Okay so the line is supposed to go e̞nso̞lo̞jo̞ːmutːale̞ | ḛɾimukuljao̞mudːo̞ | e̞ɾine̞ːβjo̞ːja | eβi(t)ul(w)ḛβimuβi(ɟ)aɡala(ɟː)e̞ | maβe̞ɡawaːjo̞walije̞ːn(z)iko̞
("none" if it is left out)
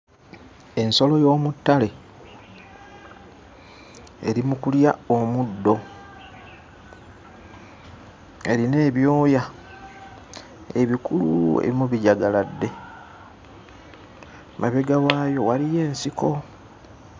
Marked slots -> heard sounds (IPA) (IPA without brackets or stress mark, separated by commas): k, u, ɟ, dː, s